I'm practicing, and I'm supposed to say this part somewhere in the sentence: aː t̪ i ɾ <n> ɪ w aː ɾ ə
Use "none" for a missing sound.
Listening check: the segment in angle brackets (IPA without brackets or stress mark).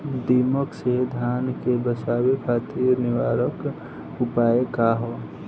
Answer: n